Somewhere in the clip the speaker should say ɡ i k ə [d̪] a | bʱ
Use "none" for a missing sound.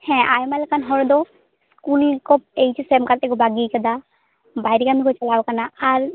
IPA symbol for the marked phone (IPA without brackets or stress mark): d̪